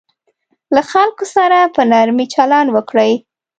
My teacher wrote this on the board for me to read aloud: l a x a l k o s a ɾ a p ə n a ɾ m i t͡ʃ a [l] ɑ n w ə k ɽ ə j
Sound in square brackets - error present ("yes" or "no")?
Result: no